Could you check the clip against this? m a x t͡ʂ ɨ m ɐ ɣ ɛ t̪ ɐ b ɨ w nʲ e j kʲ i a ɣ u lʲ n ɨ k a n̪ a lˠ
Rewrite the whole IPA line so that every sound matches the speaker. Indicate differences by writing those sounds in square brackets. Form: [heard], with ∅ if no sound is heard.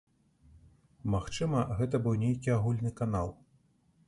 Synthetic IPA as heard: m a x t͡ʂ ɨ m ɐ ɣ ɛ t̪ ɐ b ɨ w nʲ e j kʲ i a ɣ u lʲ n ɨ k a n̪ a lˠ